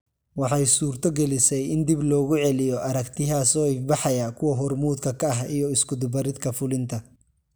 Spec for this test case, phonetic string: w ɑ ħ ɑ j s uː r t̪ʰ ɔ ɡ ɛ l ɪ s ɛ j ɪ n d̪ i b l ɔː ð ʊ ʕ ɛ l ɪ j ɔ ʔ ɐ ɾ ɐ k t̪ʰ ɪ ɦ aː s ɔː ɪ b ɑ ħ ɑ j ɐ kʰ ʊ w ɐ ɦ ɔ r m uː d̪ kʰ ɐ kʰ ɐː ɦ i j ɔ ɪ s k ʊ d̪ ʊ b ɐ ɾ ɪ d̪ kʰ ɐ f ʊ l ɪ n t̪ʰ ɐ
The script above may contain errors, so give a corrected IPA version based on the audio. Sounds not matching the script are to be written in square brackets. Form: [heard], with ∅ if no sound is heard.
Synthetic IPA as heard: w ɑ ħ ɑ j s uː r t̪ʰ ɔ ɡ ɛ l ɪ s ɛ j ɪ n d̪ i b l ɔː [ɣ] ʊ ʕ ɛ l ɪ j ɔ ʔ ɐ ɾ ɐ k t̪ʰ ɪ ɦ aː s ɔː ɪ b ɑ ħ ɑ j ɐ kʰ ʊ w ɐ ɦ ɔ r m uː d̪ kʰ ɐ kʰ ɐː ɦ i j ɔ ɪ s k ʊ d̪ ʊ b ɐ ɾ ɪ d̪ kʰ ɐ f ʊ l ɪ n t̪ʰ ɐ